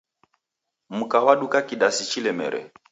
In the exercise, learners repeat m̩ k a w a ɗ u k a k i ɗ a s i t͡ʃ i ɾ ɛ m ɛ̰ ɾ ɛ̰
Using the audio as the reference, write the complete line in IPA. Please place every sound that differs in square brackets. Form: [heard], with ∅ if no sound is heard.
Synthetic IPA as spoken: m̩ k a w a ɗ u k a k i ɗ a s i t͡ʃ i [l] ɛ m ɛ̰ ɾ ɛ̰